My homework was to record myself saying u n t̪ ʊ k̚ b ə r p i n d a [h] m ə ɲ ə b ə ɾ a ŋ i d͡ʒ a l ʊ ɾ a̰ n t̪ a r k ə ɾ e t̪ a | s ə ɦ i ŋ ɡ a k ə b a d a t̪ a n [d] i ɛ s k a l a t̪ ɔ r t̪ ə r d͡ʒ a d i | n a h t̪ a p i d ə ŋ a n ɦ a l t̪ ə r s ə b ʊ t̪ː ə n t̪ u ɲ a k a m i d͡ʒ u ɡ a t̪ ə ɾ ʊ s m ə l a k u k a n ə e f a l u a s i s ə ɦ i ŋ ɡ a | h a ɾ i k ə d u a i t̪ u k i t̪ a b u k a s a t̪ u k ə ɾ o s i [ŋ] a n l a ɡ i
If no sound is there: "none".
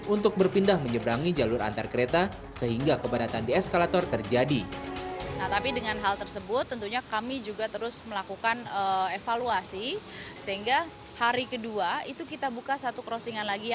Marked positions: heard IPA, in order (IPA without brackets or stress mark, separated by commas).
h, d, ŋ